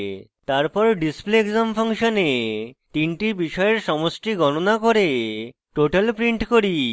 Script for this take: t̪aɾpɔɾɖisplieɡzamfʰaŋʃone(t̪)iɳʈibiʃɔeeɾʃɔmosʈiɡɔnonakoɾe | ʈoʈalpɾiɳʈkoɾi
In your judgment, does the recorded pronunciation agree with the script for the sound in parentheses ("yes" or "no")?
yes